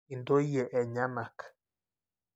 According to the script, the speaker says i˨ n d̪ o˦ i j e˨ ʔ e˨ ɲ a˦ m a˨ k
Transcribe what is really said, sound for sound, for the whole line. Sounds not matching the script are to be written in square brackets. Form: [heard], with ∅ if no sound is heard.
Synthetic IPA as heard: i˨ n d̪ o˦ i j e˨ ʔ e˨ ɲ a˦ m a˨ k